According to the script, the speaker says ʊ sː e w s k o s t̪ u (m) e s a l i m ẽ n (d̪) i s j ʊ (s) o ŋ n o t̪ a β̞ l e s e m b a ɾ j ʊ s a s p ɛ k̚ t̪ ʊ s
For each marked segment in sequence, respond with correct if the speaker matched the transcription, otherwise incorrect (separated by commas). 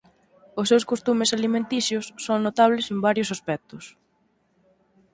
correct, incorrect, incorrect